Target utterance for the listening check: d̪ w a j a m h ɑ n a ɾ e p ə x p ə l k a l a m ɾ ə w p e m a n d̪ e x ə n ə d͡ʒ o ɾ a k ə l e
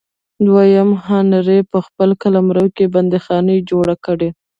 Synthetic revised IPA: d̪ w a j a m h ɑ n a ɾ e p ə x p ə l k a l a m ɾ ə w k e b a n d̪ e x ɑ n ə d͡ʒ o ɽ a k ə ɽ e